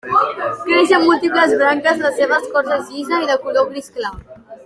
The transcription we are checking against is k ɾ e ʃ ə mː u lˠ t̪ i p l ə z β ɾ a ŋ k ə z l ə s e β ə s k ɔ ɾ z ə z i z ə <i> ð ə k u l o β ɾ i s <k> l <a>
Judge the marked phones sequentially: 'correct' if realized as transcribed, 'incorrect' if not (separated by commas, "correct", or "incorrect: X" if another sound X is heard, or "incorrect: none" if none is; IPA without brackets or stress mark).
correct, correct, correct